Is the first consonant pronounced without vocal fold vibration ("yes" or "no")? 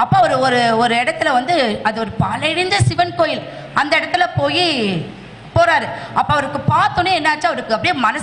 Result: yes